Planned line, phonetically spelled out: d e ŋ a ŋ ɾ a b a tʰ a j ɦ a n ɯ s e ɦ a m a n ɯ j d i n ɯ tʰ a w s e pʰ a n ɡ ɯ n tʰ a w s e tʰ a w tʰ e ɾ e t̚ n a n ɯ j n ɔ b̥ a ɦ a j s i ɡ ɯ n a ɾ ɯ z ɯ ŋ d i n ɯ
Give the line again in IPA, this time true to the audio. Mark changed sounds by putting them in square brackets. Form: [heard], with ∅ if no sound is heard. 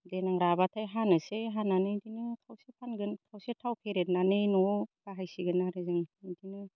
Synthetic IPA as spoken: d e [n] a ŋ ɾ a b a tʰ a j ɦ a n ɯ s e ɦ a [n] a n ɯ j d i n ɯ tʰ a w s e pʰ a n ɡ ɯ n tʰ a w s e tʰ a w [pʰ] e ɾ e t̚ n a n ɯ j n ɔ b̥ a ɦ a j s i ɡ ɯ n a ɾ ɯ z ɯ ŋ d i n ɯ